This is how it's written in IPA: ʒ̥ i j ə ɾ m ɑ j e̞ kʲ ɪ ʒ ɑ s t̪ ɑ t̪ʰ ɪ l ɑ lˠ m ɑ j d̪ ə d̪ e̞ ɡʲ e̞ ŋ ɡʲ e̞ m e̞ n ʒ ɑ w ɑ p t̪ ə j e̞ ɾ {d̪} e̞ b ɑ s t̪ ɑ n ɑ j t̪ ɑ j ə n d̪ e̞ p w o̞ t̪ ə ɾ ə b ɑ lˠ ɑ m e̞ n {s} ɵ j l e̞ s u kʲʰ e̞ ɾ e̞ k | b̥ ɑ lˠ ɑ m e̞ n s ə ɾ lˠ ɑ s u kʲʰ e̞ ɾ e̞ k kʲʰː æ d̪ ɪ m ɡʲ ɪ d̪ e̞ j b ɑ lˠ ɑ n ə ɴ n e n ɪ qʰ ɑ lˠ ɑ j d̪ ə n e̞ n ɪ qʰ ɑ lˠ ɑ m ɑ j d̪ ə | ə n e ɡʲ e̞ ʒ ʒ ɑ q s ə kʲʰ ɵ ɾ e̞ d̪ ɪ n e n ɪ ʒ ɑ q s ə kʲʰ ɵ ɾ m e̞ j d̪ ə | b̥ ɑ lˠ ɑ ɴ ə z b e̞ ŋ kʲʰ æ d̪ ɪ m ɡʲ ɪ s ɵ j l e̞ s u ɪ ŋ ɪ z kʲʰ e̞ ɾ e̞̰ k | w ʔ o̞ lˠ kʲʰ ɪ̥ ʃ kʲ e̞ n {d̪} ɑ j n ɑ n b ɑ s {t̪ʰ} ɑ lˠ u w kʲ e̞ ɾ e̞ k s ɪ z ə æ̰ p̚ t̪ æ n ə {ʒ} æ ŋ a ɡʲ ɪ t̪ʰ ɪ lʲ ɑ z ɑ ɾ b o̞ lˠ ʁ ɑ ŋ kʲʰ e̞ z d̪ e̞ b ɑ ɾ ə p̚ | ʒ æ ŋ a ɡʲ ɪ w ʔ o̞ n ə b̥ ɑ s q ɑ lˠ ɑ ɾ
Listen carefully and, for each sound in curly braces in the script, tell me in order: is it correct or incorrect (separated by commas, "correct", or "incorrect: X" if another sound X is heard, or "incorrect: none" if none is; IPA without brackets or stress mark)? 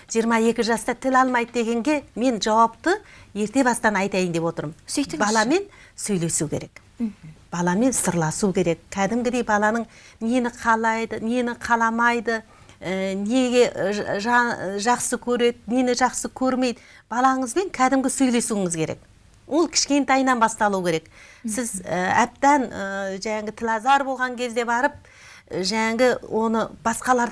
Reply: incorrect: t̪, correct, incorrect: t̪, incorrect: t̪, correct